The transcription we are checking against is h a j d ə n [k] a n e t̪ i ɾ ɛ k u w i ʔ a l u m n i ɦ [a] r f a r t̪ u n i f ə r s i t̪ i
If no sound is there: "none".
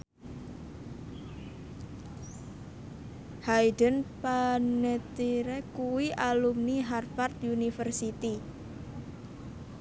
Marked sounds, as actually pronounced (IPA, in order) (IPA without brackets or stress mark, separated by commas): p, a